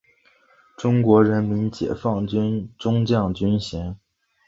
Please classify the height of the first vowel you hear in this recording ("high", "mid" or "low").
high